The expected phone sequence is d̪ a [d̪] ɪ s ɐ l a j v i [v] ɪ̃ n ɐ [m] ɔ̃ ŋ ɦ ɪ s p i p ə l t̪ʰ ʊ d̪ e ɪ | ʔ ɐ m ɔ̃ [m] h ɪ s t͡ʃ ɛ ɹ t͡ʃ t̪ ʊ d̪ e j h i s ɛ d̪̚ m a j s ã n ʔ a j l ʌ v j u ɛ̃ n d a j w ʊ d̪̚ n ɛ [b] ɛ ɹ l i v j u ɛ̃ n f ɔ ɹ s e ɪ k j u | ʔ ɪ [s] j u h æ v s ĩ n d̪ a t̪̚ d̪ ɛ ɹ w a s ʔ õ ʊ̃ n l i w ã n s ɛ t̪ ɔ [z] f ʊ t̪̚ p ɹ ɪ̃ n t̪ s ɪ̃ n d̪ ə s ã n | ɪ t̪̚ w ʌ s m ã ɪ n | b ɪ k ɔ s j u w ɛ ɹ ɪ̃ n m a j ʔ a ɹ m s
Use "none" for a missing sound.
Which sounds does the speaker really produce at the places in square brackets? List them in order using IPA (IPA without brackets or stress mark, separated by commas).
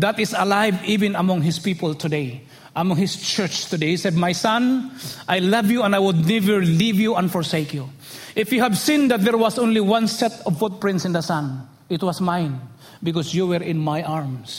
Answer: t̪, v, m, ŋ, v, f, v